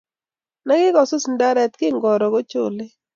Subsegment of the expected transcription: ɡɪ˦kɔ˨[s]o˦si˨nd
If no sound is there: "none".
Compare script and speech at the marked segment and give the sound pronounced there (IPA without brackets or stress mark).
s